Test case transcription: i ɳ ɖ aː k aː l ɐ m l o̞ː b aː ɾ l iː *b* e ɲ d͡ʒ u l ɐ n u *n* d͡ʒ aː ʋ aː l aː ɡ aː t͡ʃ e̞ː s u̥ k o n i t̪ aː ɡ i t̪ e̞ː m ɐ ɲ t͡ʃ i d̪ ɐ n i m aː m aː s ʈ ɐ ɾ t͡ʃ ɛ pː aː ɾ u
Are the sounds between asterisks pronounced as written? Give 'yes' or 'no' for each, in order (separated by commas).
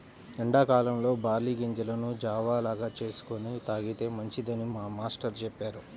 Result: no, no